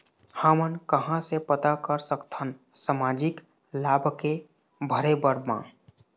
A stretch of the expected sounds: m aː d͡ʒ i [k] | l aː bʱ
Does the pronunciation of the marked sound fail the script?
no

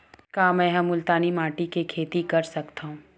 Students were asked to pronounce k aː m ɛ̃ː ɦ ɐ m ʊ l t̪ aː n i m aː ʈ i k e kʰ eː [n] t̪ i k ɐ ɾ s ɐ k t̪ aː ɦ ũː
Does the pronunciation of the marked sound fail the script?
yes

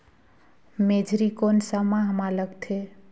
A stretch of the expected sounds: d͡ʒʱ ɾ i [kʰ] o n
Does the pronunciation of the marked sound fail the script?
yes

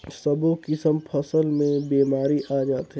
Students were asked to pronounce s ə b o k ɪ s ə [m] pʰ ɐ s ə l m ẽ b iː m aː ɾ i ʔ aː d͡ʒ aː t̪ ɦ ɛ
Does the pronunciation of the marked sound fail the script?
no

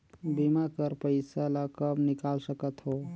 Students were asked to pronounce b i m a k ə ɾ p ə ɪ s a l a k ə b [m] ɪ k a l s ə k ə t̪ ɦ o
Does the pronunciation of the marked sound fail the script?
yes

